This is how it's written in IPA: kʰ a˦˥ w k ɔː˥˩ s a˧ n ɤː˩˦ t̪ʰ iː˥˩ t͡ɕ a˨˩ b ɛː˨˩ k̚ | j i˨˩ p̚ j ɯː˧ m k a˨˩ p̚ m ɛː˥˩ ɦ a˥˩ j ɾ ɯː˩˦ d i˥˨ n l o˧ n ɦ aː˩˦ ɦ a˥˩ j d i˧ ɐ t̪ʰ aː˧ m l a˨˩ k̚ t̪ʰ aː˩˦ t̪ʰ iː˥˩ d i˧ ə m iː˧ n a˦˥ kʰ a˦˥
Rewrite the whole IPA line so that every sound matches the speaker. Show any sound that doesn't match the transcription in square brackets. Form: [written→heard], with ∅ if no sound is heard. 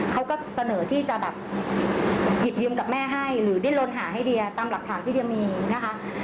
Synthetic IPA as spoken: kʰ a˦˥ w k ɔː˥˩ s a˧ n ɤː˩˦ t̪ʰ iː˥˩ t͡ɕ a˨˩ b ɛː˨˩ [k̚→p̚] | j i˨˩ p̚ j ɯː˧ m k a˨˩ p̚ m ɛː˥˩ ɦ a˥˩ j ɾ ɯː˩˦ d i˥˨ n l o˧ n ɦ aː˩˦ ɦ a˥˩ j d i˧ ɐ [t̪ʰ→t̪] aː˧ m l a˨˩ k̚ t̪ʰ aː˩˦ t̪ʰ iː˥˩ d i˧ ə m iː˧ n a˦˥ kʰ a˦˥